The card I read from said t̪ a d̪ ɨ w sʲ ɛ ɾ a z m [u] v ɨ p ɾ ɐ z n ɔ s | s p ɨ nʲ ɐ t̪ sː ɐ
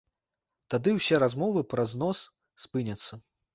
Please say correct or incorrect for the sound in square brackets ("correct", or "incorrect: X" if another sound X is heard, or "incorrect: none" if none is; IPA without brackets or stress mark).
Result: incorrect: ɔ